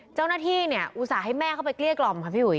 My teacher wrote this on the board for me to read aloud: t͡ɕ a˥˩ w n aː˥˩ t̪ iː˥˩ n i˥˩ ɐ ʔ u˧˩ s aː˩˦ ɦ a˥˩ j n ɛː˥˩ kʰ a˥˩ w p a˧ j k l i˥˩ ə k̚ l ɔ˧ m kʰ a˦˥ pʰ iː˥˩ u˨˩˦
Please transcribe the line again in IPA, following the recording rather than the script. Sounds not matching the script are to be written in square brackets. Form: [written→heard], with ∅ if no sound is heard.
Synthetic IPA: t͡ɕ a˥˩ w n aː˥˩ [t̪→t̪ʰ] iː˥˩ n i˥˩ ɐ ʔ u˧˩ s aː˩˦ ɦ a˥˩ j [n→m] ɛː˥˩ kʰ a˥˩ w p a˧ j k l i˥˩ ə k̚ l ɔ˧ m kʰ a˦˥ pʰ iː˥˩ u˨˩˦